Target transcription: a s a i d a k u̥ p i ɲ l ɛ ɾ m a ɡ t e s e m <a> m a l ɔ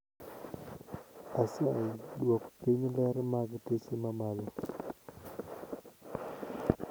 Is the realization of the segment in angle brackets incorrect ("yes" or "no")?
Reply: no